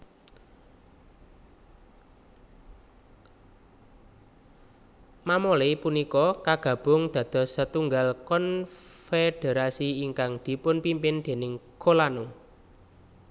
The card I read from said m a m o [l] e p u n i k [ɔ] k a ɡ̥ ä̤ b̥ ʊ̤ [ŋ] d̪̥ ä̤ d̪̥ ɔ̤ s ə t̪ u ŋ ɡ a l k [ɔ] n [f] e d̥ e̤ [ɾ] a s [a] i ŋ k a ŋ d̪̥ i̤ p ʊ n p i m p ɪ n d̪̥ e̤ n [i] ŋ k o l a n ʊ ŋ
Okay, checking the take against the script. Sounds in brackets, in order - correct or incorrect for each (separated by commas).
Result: correct, correct, correct, correct, correct, correct, incorrect, incorrect